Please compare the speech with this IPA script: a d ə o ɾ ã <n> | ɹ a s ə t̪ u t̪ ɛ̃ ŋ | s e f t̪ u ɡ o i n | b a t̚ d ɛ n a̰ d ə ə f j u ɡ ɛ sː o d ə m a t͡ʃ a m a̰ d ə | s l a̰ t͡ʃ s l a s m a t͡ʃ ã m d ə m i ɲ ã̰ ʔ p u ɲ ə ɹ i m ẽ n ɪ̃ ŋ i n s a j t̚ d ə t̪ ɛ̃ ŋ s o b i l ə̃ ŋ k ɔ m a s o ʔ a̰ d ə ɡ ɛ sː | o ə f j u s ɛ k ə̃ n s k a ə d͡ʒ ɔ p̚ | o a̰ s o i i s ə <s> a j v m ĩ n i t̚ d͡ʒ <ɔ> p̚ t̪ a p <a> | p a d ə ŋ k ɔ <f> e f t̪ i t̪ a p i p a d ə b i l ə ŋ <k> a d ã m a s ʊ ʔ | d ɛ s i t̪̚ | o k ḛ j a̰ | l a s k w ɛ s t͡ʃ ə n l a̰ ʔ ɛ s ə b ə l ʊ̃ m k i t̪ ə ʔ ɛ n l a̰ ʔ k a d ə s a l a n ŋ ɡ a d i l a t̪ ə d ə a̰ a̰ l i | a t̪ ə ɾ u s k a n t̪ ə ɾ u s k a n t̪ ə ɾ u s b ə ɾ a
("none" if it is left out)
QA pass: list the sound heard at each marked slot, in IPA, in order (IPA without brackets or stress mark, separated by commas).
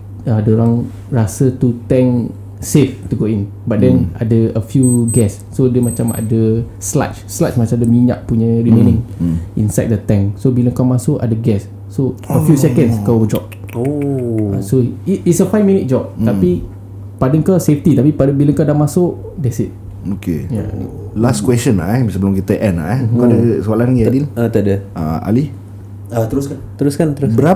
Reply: ŋ, f, ɔ, i, s, k